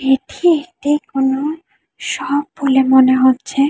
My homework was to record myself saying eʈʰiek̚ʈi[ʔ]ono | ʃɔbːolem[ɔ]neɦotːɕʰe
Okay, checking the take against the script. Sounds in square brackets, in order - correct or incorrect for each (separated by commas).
incorrect, incorrect